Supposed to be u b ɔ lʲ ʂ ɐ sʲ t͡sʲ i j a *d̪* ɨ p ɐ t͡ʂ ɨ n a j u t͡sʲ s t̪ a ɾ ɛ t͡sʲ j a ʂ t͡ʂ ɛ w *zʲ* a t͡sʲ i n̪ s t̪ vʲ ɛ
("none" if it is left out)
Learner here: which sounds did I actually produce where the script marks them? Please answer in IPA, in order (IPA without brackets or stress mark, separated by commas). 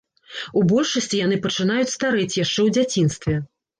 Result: n̪, d͡zʲ